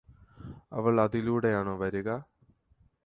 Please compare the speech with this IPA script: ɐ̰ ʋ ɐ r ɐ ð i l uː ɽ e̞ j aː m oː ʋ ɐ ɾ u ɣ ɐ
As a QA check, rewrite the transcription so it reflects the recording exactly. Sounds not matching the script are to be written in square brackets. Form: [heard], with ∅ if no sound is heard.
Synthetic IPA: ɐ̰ ʋ ɐ [ɭ] ɐ ð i l uː ɽ e̞ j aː [ɳ] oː ʋ ɐ ɾ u ɣ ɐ